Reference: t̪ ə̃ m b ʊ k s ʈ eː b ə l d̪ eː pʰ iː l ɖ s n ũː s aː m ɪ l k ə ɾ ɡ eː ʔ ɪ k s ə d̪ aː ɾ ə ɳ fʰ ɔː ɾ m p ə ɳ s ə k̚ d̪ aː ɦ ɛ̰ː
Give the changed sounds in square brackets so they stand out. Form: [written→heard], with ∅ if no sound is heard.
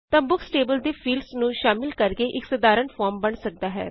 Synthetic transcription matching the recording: t̪ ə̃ m b ʊ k s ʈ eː b ə l d̪ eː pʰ iː l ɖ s n ũː [s→ʃ] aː m ɪ l k ə ɾ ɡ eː ʔ ɪ k s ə d̪ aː ɾ ə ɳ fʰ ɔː ɾ m [p→b] ə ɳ s ə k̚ d̪ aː ɦ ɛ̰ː